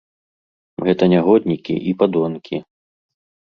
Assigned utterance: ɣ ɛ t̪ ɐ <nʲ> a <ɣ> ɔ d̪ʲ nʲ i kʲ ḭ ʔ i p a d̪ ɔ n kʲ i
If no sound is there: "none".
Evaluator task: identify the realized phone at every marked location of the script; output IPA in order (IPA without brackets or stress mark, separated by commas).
nʲ, ɣ